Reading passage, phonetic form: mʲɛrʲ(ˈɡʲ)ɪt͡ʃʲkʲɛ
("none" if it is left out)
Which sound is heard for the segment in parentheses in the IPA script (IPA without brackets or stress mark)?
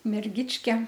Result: ɡʲ